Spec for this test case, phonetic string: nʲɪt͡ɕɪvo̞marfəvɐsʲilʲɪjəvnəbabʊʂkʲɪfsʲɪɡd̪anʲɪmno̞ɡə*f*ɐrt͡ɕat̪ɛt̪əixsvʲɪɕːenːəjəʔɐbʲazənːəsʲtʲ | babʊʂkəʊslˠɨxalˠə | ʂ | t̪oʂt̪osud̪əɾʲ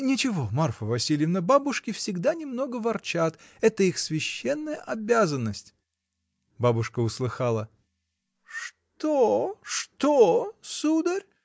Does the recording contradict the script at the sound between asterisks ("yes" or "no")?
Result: yes